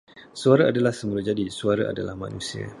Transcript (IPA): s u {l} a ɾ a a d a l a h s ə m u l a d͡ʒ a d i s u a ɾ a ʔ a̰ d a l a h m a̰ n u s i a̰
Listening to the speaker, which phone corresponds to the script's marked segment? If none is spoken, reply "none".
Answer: none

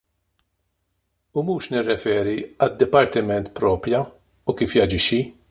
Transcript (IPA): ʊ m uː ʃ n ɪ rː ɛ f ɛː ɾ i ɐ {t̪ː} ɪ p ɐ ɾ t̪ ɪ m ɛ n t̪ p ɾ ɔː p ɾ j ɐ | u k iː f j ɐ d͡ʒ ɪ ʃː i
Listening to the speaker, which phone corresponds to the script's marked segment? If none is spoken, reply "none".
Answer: d̪ː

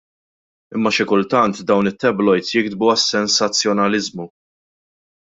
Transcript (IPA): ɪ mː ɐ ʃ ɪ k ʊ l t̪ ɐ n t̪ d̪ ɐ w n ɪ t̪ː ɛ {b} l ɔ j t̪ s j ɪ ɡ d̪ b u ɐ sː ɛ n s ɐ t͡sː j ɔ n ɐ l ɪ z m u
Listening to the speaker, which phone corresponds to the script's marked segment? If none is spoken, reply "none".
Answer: b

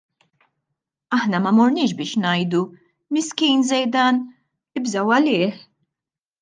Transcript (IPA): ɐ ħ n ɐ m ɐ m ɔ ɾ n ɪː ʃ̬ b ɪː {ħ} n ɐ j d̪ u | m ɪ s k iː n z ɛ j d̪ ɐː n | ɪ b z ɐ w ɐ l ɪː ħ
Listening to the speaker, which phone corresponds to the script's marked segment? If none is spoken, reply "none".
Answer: ʃ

